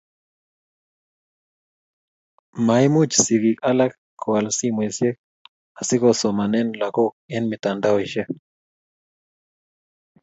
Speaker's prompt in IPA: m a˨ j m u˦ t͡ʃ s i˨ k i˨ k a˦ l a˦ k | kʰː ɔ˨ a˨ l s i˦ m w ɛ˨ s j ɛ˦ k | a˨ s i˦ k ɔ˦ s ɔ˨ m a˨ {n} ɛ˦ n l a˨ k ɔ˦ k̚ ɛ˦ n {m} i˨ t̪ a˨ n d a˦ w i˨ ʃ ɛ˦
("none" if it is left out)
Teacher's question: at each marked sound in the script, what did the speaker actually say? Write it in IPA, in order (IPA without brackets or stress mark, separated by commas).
n, m